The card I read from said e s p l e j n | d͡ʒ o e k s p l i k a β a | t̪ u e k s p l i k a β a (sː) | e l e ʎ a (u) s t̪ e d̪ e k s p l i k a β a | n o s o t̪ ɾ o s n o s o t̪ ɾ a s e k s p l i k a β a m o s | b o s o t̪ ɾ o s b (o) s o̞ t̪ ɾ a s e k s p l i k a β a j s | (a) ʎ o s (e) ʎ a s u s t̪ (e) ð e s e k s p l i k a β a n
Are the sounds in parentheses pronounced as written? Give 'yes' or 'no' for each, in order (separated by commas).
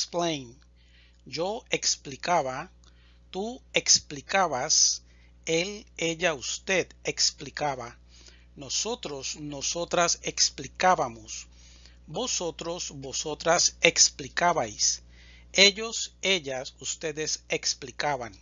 no, yes, yes, no, yes, yes